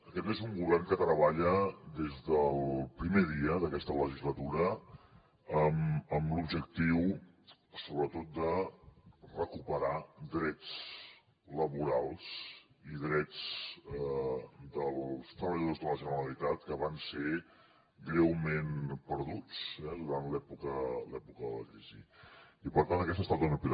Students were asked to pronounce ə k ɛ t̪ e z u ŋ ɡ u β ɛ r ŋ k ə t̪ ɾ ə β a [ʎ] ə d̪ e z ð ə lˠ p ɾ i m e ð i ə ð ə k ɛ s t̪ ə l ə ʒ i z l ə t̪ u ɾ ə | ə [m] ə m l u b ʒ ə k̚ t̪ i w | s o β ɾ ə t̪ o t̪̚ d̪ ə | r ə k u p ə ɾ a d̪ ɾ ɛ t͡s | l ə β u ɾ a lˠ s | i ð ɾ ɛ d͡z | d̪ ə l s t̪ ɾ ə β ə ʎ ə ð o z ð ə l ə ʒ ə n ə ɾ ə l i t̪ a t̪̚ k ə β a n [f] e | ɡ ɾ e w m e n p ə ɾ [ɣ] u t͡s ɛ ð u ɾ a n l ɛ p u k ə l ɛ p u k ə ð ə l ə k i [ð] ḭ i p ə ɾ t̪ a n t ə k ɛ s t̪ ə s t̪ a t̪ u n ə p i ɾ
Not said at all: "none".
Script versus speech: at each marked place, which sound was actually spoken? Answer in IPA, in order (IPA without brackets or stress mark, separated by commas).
ʎ, m, s, ð, z